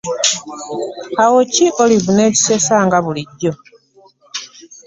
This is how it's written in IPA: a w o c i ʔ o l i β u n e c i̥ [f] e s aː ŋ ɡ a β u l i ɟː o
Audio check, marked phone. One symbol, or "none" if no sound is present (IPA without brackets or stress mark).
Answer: s